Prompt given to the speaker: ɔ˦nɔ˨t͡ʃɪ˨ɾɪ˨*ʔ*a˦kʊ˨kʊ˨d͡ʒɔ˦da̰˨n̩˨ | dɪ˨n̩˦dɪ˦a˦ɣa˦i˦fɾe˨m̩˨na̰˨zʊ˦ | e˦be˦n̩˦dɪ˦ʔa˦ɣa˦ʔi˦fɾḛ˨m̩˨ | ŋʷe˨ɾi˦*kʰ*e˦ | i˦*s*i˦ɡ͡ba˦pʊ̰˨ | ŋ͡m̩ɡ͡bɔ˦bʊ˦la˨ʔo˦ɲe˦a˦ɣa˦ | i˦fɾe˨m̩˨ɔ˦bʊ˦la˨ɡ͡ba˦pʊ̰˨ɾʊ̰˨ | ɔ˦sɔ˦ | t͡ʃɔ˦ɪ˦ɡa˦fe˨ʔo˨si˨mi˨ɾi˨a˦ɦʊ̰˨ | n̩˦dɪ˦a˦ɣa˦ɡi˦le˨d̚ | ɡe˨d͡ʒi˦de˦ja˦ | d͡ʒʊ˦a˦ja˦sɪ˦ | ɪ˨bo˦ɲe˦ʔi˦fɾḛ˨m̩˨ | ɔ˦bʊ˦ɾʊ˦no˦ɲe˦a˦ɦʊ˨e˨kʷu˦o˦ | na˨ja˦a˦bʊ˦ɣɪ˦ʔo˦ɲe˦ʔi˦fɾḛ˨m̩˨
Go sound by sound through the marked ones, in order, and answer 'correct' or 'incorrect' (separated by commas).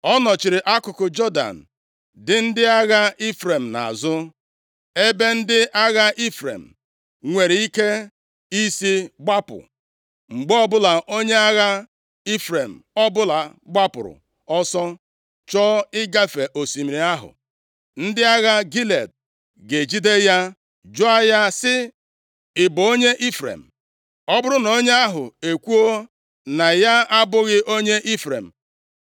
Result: correct, incorrect, correct